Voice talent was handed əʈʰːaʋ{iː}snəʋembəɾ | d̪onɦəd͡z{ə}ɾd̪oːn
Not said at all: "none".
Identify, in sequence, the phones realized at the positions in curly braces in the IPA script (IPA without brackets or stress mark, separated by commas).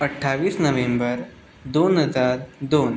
iː, a